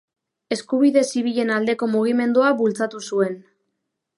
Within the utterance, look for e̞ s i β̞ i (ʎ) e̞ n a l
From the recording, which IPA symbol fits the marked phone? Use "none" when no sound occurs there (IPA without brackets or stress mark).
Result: ʎ